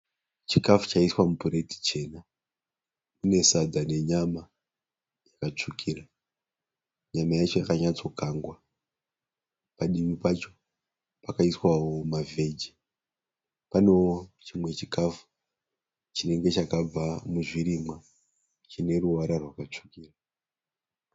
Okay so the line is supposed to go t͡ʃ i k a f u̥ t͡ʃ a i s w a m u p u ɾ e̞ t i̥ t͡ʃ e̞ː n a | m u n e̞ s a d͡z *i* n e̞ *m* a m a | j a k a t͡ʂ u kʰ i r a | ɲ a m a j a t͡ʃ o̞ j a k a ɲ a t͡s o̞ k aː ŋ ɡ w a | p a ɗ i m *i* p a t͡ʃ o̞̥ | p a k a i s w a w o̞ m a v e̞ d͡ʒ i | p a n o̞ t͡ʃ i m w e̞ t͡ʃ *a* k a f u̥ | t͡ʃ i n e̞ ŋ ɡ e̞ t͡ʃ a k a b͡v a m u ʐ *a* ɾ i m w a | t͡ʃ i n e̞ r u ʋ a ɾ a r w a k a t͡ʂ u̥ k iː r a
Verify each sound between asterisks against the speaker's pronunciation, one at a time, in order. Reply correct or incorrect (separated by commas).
incorrect, incorrect, correct, incorrect, incorrect